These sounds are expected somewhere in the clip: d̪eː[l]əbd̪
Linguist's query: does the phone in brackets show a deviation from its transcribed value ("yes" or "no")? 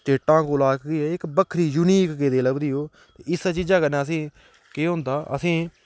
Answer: no